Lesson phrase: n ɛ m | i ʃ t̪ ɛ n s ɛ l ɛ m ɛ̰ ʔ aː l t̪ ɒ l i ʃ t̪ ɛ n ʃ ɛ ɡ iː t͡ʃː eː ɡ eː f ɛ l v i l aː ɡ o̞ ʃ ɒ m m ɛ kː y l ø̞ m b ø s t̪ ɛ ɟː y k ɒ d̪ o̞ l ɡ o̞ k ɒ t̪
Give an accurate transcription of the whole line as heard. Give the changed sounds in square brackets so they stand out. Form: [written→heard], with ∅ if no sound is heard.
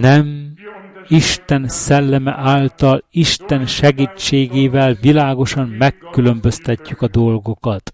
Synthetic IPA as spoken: n ɛ m | i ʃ t̪ ɛ n s ɛ [l→lː] ɛ m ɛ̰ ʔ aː l t̪ ɒ l i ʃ t̪ ɛ n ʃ ɛ ɡ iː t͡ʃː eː ɡ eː [f→v] ɛ l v i l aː ɡ o̞ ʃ ɒ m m ɛ kː y l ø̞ m b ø s t̪ ɛ [ɟː→cː] y k ɒ d̪ o̞ l ɡ o̞ k ɒ t̪